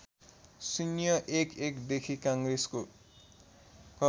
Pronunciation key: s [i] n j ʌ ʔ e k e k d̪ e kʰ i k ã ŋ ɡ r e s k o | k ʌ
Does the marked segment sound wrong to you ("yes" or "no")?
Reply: no